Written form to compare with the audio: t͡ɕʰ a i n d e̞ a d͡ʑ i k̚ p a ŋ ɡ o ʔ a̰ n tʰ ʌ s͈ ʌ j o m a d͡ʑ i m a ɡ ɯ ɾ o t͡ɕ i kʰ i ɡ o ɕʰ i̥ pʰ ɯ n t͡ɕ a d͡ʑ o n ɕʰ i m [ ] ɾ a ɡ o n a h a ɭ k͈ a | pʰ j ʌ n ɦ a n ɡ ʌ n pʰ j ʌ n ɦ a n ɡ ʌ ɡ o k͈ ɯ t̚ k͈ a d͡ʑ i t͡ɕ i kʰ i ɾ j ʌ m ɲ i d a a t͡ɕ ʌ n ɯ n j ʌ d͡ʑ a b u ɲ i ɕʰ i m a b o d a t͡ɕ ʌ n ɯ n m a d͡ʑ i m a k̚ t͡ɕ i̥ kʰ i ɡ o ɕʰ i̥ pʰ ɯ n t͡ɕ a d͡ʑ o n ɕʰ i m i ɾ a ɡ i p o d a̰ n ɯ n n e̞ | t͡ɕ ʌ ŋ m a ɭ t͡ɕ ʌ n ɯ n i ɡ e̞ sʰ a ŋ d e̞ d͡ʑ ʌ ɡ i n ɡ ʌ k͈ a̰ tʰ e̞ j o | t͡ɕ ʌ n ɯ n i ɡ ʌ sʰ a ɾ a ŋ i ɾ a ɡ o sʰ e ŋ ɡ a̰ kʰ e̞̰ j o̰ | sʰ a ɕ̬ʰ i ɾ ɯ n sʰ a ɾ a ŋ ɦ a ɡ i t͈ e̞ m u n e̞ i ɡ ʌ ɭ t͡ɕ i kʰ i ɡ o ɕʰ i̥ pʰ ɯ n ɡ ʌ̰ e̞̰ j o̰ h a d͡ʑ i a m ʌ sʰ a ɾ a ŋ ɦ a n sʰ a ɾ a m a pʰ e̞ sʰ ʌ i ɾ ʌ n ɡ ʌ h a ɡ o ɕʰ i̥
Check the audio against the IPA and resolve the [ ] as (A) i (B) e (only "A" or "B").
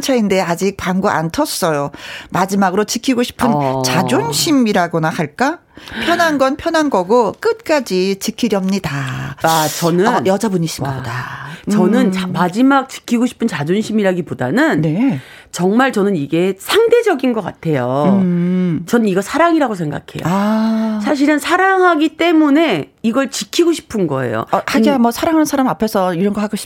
A